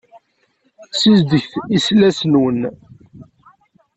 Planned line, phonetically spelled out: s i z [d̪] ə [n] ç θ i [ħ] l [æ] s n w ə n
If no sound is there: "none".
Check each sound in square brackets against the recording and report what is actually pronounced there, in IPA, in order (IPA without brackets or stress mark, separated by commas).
d̪, none, s, æ